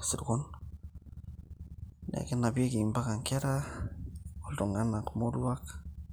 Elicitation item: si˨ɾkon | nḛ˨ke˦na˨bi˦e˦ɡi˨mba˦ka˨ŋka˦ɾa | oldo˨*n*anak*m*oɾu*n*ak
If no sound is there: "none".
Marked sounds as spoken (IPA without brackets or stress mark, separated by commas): ŋ, m, none